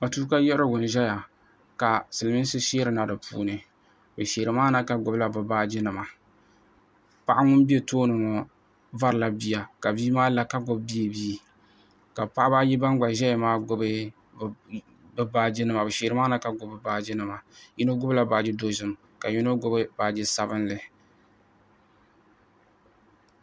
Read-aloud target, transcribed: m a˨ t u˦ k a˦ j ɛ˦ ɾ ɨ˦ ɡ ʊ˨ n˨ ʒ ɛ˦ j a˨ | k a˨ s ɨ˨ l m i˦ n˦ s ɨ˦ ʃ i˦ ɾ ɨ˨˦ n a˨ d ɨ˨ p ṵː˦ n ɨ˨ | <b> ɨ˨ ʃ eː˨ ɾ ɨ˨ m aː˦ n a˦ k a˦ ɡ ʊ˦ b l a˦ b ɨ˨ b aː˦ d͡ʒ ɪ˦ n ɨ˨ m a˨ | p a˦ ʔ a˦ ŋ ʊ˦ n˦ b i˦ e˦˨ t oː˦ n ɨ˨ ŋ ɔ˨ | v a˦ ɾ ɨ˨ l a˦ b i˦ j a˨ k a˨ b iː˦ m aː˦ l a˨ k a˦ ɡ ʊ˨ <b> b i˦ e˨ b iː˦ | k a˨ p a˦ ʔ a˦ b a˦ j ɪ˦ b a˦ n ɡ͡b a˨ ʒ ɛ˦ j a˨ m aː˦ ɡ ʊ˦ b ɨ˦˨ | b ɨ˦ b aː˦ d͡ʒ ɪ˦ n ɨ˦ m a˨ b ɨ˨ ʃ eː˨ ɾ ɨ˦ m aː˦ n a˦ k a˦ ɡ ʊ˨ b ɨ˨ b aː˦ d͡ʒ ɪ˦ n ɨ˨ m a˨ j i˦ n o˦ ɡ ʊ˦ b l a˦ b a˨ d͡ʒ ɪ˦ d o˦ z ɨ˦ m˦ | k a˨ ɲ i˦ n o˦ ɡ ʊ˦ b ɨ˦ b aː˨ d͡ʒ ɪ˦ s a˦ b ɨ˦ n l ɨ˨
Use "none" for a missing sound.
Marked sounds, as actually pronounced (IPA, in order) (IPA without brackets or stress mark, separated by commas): b, b